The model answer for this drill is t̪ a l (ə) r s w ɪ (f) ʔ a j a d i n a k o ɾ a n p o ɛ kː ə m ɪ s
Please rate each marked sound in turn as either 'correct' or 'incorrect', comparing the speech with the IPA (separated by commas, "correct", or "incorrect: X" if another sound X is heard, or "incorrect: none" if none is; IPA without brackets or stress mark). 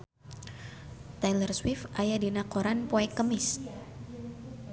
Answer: correct, correct